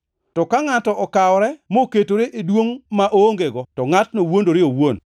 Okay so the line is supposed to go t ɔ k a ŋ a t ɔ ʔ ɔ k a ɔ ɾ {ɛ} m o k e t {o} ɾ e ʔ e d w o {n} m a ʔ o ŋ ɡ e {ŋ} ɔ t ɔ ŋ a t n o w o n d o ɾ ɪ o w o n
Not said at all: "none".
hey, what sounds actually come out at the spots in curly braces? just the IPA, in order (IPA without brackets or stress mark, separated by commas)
ɛ, o, ŋ, ɡ